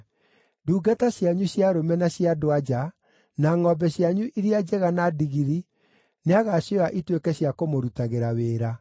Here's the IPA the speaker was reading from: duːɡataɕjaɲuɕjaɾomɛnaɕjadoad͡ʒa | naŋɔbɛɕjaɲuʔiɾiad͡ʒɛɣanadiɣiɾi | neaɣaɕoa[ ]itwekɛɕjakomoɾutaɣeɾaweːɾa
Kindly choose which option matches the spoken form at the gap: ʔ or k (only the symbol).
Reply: ʔ